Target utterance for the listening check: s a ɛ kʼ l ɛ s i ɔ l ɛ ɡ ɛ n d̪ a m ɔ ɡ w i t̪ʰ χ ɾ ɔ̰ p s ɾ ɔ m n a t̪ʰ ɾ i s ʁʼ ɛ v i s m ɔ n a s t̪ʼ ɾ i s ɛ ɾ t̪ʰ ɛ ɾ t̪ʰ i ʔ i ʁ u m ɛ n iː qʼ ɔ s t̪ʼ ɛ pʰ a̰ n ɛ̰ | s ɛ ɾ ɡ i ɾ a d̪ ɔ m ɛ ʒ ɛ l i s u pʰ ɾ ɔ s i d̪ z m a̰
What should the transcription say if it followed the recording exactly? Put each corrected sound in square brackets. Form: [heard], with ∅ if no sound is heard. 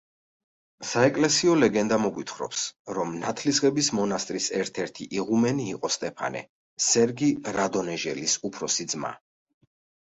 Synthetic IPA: s a ɛ kʼ l ɛ s i ɔ l ɛ ɡ ɛ n d̪ a m ɔ ɡ w i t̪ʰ χ ɾ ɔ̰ p s ɾ ɔ m n a t̪ʰ [l] i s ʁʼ ɛ [b] i s m ɔ n a s t̪ʼ ɾ i s ɛ ɾ t̪ʰ ɛ ɾ t̪ʰ i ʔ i ʁ u m ɛ n iː qʼ ɔ s t̪ʼ ɛ pʰ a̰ n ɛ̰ | s ɛ ɾ ɡ i ɾ a d̪ ɔ [n] ɛ ʒ ɛ l i s u pʰ ɾ ɔ s i d̪ z m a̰